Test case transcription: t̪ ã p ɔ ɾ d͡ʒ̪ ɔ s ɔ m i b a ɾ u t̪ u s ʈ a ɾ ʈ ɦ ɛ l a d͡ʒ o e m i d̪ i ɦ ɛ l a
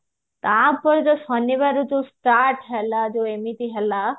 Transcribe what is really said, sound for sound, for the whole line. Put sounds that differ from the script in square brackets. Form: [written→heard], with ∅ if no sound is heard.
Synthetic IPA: t̪ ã p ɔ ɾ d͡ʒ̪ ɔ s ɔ [m→n] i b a ɾ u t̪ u s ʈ a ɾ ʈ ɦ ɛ l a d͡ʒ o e m i [d̪→t̪] i ɦ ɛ l a